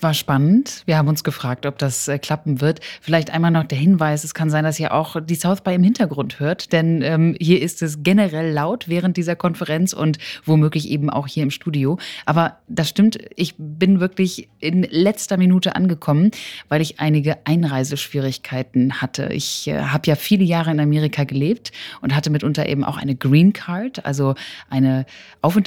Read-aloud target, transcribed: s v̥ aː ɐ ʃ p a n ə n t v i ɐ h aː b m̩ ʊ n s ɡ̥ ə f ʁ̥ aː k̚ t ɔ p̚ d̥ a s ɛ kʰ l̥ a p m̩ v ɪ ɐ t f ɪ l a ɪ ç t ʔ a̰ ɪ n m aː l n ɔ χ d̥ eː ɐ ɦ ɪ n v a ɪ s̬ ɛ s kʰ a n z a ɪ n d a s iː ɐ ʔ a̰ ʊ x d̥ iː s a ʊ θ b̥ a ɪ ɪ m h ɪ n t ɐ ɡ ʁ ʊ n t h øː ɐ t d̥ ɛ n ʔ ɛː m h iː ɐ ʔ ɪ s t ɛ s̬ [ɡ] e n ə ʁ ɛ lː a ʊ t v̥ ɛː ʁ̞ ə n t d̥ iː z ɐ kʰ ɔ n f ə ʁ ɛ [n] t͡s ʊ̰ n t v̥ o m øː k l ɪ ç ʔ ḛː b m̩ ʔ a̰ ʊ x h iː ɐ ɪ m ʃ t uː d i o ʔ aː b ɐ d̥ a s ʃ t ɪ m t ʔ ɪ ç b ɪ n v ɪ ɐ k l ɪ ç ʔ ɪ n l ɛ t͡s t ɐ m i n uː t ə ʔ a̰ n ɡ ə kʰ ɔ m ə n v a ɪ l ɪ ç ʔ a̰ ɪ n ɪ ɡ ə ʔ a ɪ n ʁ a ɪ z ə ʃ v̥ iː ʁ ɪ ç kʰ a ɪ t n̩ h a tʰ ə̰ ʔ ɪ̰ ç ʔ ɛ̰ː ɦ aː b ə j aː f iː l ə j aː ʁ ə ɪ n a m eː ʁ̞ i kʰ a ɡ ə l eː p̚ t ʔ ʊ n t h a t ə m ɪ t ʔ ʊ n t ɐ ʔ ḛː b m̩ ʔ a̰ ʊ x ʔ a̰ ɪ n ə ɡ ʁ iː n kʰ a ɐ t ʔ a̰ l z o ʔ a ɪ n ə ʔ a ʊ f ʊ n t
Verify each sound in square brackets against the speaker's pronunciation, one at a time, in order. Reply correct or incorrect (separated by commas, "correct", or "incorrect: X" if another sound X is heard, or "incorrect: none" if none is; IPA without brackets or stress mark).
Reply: correct, correct